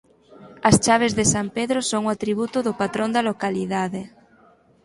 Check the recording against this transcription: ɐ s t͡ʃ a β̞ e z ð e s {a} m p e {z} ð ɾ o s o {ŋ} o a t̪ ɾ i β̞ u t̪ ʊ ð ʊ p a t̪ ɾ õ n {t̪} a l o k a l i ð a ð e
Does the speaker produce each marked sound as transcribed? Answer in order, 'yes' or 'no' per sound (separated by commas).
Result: yes, no, yes, no